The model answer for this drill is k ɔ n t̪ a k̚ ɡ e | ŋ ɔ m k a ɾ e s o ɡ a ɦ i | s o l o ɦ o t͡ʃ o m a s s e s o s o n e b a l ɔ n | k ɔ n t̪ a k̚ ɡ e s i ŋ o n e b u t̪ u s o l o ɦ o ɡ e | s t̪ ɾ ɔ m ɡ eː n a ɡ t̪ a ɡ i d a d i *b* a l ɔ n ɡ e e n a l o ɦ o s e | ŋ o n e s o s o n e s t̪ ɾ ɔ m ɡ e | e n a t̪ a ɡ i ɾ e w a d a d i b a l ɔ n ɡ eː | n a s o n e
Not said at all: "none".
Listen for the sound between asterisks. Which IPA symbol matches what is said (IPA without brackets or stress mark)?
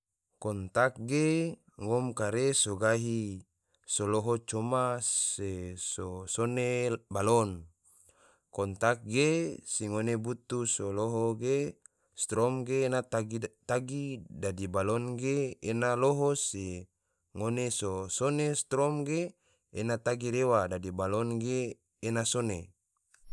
b